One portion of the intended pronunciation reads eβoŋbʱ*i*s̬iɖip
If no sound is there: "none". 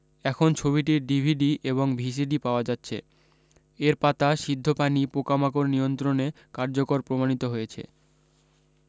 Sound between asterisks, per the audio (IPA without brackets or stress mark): i